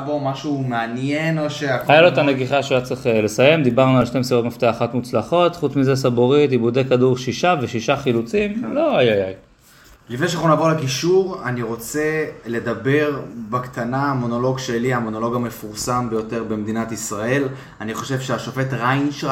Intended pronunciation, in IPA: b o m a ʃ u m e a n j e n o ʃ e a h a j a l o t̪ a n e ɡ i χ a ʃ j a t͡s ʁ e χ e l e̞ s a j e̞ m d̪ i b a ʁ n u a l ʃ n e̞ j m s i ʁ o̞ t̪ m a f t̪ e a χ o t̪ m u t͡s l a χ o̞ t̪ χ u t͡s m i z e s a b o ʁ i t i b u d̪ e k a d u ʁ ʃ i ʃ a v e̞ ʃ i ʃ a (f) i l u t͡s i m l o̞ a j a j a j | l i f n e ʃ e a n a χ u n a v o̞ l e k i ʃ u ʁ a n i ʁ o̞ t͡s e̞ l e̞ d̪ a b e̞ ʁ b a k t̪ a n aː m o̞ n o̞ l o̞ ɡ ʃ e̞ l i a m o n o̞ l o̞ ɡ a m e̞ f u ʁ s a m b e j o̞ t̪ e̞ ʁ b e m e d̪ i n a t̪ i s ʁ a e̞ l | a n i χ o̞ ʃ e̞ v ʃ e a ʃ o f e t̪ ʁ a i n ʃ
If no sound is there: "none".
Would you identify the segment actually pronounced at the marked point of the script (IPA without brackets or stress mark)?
χ